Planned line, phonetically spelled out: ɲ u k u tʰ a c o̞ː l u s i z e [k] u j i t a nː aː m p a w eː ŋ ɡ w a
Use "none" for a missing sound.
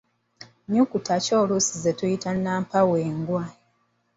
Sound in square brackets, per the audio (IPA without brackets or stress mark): t